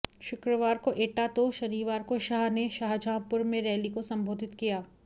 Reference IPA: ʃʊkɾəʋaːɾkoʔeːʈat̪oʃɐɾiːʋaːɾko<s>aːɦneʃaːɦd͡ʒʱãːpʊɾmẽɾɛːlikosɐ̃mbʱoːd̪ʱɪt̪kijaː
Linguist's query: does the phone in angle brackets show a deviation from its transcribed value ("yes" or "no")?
yes